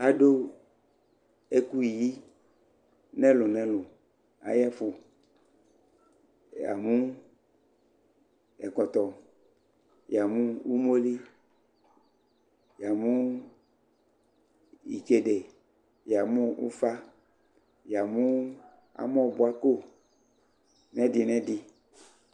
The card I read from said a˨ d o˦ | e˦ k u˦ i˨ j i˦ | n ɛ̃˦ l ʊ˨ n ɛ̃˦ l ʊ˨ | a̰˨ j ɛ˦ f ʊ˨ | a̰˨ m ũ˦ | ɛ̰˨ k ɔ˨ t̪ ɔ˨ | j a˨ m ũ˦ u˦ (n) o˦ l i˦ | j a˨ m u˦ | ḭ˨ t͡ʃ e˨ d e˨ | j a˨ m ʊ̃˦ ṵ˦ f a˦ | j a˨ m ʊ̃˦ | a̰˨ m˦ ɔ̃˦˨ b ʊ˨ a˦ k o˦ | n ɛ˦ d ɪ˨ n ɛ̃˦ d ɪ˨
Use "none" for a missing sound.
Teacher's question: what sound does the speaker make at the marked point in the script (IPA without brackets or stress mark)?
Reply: m